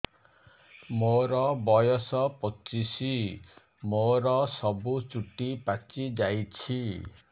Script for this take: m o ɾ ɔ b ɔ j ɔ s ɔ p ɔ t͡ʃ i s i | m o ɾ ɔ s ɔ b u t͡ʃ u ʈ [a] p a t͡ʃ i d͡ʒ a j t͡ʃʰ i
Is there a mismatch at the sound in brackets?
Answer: yes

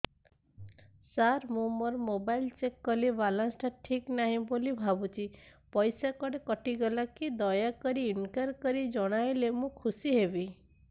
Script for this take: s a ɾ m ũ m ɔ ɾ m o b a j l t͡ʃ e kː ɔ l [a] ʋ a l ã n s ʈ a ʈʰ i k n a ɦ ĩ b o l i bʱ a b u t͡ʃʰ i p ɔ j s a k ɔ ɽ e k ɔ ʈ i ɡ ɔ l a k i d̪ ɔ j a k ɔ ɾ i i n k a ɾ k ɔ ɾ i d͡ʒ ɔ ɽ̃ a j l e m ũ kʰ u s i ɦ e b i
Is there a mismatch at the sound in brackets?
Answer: yes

